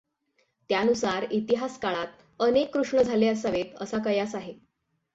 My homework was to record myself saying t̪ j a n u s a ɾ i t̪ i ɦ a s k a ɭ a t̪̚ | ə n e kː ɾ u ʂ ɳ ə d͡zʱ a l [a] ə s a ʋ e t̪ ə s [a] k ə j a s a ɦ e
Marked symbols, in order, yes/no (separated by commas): no, yes